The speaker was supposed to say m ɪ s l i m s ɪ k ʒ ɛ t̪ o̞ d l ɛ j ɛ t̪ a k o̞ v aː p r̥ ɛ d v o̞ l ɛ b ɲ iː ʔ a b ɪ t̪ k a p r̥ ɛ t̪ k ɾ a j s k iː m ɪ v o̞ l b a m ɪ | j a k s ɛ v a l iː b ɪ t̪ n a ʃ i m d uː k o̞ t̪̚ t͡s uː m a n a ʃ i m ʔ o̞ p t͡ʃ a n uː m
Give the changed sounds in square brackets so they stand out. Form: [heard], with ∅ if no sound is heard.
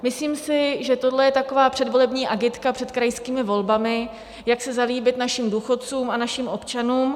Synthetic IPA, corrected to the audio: m ɪ s l [iː] m s ɪ [∅] ʒ ɛ t̪ o̞ d l ɛ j ɛ t̪ a k o̞ v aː p r̥ ɛ d v o̞ l ɛ b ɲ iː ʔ a [ɡ] ɪ t̪ k a p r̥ ɛ t̪ k ɾ a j s k iː m ɪ v o̞ l b a m ɪ | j a k s ɛ [z] a l iː b ɪ t̪ n a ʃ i m d uː [x] o̞ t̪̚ t͡s uː m a n a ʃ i m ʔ o̞ p t͡ʃ a n uː m